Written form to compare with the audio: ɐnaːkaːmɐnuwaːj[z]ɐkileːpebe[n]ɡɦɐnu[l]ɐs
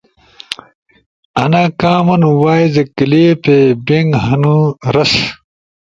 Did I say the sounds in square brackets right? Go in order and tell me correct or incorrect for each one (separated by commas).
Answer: correct, incorrect, incorrect